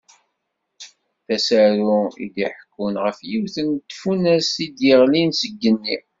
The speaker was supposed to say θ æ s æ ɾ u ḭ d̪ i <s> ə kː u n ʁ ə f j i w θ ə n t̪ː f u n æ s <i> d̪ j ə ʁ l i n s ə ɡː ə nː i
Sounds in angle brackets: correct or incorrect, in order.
incorrect, correct

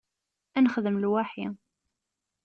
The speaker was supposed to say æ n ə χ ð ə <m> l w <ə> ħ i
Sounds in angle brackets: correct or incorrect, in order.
correct, incorrect

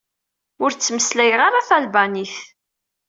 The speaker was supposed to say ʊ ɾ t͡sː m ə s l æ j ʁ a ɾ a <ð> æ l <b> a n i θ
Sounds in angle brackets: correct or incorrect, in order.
incorrect, correct

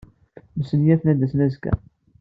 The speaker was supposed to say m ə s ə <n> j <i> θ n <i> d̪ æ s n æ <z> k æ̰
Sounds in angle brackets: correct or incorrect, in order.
correct, incorrect, incorrect, correct

